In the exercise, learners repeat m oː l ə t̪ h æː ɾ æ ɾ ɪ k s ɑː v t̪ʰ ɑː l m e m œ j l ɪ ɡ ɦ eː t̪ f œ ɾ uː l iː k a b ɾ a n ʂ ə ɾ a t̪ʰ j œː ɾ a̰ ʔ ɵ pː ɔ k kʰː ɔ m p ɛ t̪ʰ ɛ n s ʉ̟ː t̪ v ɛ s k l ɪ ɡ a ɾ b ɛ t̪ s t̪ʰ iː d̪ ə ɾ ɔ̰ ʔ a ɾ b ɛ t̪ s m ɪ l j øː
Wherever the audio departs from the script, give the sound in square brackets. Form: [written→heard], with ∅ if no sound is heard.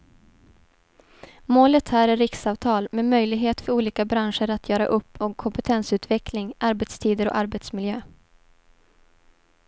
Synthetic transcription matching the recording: m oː l ə t̪ h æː ɾ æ ɾ ɪ k s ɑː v t̪ʰ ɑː l m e m œ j l ɪ ɡ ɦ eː t̪ f œ ɾ uː l iː k a b ɾ a n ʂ ə ɾ a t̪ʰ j œː ɾ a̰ ʔ ɵ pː ɔ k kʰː ɔ m p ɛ t̪ʰ ɛ n s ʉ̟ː t̪ v ɛ [s→∅] k l ɪ [ɡ→ŋ] a ɾ b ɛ t̪ s t̪ʰ iː d̪ ə ɾ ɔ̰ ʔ a ɾ b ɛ t̪ s m ɪ l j øː